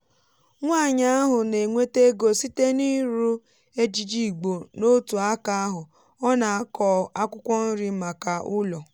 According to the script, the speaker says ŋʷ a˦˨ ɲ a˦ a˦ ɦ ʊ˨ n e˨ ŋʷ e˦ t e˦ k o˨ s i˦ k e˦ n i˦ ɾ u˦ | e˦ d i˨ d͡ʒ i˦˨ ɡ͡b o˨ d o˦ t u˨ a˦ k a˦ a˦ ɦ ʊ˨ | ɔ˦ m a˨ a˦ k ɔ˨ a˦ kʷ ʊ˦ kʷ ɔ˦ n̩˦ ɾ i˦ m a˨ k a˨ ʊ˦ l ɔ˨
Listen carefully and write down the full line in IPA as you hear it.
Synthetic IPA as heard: ŋʷ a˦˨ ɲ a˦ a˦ ɦ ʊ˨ n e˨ ŋʷ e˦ t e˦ ɡ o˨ s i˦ t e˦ n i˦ ɾ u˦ | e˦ d͡ʒ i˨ d͡ʒ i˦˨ ɡ͡b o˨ n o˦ t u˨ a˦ k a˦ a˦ ɦ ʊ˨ | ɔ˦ n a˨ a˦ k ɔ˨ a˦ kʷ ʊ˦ kʷ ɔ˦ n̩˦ ɾ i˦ m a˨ k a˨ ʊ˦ l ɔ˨